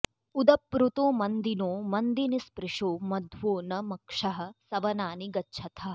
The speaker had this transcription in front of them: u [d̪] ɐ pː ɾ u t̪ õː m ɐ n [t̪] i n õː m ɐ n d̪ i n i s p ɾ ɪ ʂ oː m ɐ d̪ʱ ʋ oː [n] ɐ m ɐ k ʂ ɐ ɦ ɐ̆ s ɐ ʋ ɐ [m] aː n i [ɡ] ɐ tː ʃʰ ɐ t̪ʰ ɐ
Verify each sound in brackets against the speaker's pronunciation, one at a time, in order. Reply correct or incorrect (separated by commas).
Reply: correct, incorrect, correct, incorrect, correct